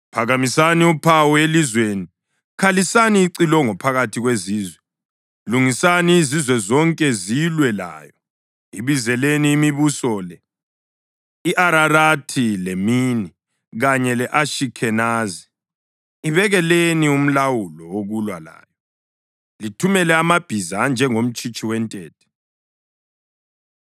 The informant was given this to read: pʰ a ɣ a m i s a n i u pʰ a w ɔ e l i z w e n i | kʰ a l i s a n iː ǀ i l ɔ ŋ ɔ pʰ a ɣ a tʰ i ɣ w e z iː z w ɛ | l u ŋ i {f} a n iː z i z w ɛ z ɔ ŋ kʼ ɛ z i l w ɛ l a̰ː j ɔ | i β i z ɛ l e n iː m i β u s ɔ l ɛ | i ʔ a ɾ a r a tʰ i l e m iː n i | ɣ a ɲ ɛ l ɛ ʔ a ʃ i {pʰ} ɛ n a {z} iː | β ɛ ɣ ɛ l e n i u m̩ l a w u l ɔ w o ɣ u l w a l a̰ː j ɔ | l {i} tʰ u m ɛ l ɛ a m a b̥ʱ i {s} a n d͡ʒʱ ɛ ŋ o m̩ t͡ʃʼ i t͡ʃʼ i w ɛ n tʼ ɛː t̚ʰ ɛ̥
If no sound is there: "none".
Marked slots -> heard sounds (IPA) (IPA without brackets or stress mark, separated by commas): s, kʰ, z, i, z